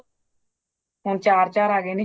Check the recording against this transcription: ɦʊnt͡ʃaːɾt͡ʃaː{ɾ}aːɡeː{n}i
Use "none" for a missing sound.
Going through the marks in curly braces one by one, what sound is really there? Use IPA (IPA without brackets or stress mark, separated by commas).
ɾ, n